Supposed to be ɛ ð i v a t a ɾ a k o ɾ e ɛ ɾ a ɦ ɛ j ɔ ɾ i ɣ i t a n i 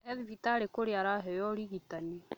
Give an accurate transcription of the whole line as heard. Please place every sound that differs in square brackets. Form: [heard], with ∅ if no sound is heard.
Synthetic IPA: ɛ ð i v [i] t a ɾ [e] k o ɾ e [a] ɾ a ɦ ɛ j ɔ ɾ i ɣ i t a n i